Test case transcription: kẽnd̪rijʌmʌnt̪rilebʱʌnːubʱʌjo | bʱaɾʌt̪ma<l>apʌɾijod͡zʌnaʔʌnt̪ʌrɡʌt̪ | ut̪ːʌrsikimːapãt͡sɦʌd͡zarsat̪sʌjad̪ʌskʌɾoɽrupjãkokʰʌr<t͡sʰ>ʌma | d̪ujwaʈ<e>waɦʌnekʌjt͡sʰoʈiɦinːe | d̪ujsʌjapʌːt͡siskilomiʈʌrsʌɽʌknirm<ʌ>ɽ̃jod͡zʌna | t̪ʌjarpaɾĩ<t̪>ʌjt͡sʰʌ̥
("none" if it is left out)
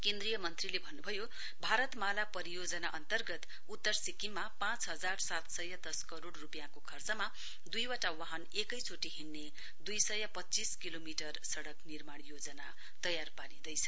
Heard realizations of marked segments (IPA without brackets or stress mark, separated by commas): l, t͡s, a, a, d̪